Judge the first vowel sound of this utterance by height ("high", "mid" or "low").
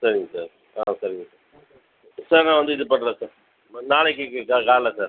low